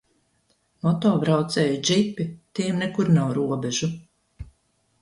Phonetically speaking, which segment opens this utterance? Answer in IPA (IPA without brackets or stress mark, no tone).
m